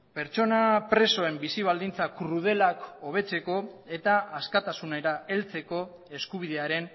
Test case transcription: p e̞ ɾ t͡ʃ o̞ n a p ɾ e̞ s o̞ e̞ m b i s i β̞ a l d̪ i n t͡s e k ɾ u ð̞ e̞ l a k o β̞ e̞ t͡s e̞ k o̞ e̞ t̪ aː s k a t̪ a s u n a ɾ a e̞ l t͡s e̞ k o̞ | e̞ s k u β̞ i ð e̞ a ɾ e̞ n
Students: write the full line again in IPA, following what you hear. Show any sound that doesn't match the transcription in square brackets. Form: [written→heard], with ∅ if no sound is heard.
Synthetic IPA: p e̞ ɾ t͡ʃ o̞ n a p ɾ e̞ s o̞ e̞ m b i s i β̞ a l d̪ i n t͡s [e→a] k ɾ u ð̞ e̞ l a k o β̞ e̞ t͡s e̞ k o̞ e̞ t̪ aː s k a t̪ a s u n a ɾ a e̞ l t͡s e̞ k o̞ | e̞ s k u β̞ i ð e̞ a ɾ e̞ n

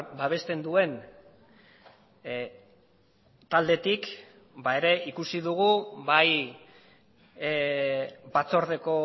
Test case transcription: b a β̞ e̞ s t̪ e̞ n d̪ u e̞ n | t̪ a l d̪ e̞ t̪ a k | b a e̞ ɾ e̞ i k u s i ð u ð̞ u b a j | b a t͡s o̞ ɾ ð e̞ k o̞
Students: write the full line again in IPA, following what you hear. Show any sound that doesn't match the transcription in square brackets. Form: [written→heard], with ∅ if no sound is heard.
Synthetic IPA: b a β̞ e̞ s t̪ e̞ n d̪ u e̞ n | t̪ a l d̪ e̞ t̪ [a→i] k | b a e̞ ɾ e̞ i k u s i ð u [ð̞→ɣ̞] u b a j | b a t͡s o̞ ɾ ð e̞ k o̞

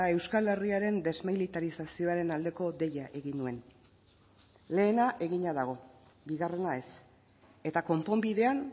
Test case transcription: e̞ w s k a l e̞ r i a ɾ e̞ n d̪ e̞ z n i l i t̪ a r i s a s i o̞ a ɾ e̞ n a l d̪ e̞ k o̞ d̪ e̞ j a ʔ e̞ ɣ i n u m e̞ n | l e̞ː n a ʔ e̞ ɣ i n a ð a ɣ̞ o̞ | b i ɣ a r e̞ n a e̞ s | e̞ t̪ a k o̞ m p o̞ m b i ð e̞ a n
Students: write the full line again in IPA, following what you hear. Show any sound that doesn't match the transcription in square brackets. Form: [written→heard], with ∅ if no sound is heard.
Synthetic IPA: e̞ w s k a l e̞ r i a ɾ e̞ n d̪ e̞ z [n→m] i l i t̪ a [r→ɾ] i s a s i o̞ a ɾ e̞ n a l d̪ e̞ k o̞ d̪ e̞ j a ʔ e̞ ɣ i n u [m→∅] e̞ n | l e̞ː n a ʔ e̞ ɣ i [n→ɲ] a ð a ɣ̞ o̞ | b i ɣ a r e̞ n a e̞ s | e̞ t̪ a k o̞ m p o̞ m b i ð e̞ a n

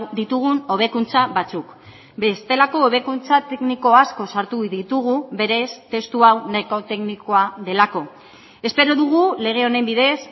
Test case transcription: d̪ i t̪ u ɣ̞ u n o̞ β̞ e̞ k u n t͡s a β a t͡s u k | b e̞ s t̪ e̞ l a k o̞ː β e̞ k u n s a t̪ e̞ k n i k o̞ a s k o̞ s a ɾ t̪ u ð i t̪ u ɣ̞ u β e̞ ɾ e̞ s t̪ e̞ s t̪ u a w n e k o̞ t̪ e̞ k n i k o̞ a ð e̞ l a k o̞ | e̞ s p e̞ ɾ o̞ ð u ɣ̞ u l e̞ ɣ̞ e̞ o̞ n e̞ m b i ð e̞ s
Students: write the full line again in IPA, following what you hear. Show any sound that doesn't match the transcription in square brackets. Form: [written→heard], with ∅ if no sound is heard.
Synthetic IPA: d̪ i t̪ u ɣ̞ u n o̞ β̞ e̞ k u n t͡s a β a t͡s u k | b e̞ s t̪ e̞ l a k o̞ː β e̞ k u n [s→t͡s] a t̪ e̞ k n i k o̞ a s k o̞ s a ɾ t̪ u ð i t̪ u ɣ̞ u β e̞ ɾ e̞ s t̪ e̞ s t̪ u a w n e k o̞ t̪ e̞ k n i k o̞ a ð e̞ l a k o̞ | e̞ s p e̞ ɾ o̞ ð u ɣ̞ u l e̞ ɣ̞ e̞ o̞ n e̞ m b i ð e̞ s

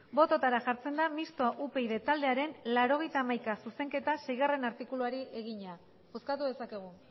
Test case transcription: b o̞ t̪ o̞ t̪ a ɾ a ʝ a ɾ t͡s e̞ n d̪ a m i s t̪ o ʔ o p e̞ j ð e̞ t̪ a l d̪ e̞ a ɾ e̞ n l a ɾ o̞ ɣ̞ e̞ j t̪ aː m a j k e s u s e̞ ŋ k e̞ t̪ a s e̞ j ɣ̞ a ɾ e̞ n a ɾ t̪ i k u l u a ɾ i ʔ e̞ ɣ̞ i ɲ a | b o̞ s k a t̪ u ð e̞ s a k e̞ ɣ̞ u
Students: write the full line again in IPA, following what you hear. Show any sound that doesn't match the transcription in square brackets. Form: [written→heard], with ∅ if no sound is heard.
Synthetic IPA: b o̞ t̪ o̞ t̪ a ɾ a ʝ a ɾ t͡s e̞ n d̪ a m i s t̪ o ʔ [o→u] p e̞ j ð e̞ t̪ a l d̪ e̞ a ɾ e̞ n l a ɾ o̞ ɣ̞ e̞ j t̪ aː m a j k [e→a] s u s e̞ ŋ k e̞ t̪ a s e̞ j ɣ̞ a [ɾ→r] e̞ n a ɾ t̪ i k u l u a ɾ i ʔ e̞ ɣ̞ i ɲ a | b o̞ s k a t̪ u ð e̞ s a k e̞ ɣ̞ u

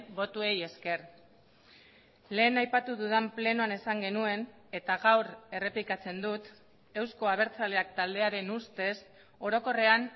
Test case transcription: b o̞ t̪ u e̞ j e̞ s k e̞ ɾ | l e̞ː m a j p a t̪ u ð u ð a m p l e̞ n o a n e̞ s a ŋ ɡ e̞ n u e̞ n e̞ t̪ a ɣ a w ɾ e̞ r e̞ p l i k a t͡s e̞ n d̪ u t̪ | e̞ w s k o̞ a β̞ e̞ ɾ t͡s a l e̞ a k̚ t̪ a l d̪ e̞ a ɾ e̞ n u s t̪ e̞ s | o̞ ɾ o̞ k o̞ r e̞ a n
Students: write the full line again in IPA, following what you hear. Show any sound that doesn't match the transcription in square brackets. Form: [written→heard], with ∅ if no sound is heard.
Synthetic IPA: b o̞ t̪ u e̞ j e̞ s k e̞ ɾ | l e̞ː [m→n] a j p a t̪ u ð u ð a m p l e̞ n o a n e̞ s a ŋ ɡ e̞ n u e̞ n e̞ t̪ a ɣ a w ɾ e̞ r e̞ p l i k a t͡s e̞ n d̪ u t̪ | e̞ w s k o̞ a β̞ e̞ ɾ t͡s a l e̞ a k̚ t̪ a l d̪ e̞ a ɾ e̞ n u s t̪ e̞ s | o̞ ɾ o̞ k o̞ r e̞ a n

